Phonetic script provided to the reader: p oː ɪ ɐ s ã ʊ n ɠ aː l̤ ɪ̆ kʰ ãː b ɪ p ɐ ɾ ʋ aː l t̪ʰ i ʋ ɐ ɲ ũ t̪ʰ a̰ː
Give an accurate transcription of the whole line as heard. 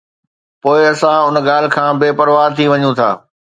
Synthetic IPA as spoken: p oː ɪ ɐ s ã ʊ n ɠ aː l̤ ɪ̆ kʰ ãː b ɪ p ɐ ɾ ʋ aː ɾ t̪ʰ i ʋ ɐ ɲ ũ t̪ʰ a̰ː

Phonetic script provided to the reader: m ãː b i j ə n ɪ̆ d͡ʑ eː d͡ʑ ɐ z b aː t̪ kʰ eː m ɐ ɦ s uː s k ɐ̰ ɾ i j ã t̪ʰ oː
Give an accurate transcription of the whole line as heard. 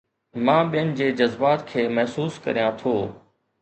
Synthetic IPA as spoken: m ãː ɓ i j ə n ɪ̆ d͡ʑ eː d͡ʑ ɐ z b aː t̪ kʰ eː m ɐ ɦ s uː s k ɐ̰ ɾ i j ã t̪ʰ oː

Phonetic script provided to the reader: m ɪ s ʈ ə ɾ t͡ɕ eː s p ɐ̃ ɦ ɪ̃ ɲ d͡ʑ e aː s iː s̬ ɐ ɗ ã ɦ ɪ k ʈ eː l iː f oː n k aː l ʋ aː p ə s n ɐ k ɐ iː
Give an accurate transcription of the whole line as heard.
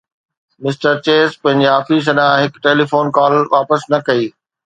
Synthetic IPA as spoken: m ɪ s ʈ ə ɾ t͡ɕ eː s p ɐ̃ ɦ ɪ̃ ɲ d͡ʑ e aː f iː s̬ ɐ ɗ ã ɦ ɪ k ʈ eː l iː f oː n k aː l ʋ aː p ə s n ɐ k ɐ iː

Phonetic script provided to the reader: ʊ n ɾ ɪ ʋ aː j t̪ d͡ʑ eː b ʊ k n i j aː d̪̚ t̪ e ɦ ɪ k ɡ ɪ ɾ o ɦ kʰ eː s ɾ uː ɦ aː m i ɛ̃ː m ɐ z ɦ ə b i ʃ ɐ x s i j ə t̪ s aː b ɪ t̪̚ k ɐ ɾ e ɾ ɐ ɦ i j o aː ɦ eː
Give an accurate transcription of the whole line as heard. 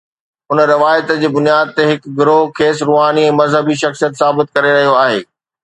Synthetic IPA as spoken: ʊ n ɾ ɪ ʋ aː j t̪ d͡ʑ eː b ʊ n i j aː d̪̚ t̪ e ɦ ɪ k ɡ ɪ ɾ o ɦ kʰ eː s ɾ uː ɦ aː n i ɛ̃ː m ɐ z ɦ ə b i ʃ ɐ x s i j ə t̪ s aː b ɪ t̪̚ k ɐ ɾ e ɾ ɐ ɦ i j o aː ɦ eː

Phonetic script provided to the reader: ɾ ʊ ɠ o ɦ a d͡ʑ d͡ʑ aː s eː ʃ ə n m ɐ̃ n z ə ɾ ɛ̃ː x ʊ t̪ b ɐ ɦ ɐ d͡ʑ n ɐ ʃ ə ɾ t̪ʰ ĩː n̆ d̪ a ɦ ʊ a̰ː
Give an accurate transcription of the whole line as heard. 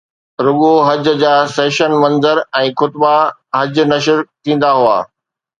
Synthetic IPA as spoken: ɾ ʊ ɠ o ɦ ɐ d͡ʑ d͡ʑ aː s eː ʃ ə n m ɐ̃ n z ə ɾ ɛ̃ː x ʊ t̪ b a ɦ ɐ d͡ʑ n ɐ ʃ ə ɾ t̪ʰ ĩː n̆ d̪ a ɦ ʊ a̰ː

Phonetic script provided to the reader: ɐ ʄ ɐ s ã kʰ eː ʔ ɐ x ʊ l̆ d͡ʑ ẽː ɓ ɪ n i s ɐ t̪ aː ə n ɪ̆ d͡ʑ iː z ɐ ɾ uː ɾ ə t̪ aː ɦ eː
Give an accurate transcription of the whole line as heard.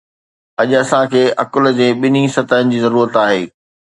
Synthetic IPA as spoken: ɐ ʄ ɐ s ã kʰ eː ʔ ɐ k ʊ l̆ d͡ʑ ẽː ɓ ɪ n i s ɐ t̪ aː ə n ɪ̆ d͡ʑ iː z ɐ ɾ uː ɾ ə t̪ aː ɦ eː

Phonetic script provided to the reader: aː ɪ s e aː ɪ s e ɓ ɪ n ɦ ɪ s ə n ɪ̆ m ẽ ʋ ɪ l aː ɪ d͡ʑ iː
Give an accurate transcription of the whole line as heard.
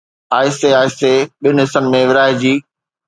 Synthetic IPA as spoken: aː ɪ s e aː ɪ s e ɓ ɪ n ɦ ɪ s ə n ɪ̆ m ẽ ʋ ɪ ɾ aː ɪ d͡ʑ iː

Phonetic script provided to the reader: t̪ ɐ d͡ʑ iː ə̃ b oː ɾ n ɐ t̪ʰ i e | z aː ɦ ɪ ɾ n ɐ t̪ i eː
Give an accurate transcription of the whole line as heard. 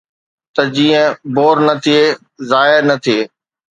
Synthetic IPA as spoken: t̪ ɐ d͡ʑ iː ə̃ b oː ɾ n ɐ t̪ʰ i e | z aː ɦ ɪ ɾ n ɐ t̪ʰ i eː

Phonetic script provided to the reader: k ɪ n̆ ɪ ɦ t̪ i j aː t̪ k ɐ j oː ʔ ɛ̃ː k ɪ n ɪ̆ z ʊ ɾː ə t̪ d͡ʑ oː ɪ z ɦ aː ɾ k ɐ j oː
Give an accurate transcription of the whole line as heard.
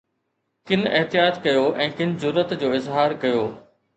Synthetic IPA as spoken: k ɪ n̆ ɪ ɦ t̪ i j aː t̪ k ɐ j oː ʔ ɛ̃ː k ɪ n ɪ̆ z ʊ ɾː ə t̪ d͡ʑ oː ɪ z ɦ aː ɾ k ɐ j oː

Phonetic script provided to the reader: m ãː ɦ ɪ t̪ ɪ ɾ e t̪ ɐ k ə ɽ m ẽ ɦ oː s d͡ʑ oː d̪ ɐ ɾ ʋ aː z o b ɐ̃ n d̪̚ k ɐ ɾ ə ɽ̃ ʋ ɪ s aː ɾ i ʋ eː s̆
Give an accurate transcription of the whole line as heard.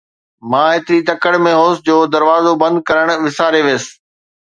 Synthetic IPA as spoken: m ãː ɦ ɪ t̪ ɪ ɾ i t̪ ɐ k ə ɽ m ẽ ɦ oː s d͡ʑ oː d̪ ɐ ɾ ʋ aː z o b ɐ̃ n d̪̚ k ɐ ɾ ə ɽ̃ ʋ ɪ s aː ɾ e ʋ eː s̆

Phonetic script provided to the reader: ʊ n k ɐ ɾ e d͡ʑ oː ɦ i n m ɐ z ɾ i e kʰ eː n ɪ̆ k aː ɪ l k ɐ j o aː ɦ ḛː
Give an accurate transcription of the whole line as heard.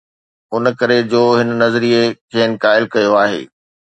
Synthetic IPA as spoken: ʊ n k ɐ ɾ e d͡ʑ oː ɦ ɪ n n ɐ z ɾ i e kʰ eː n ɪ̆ k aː ɪ l k ɐ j o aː ɦ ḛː

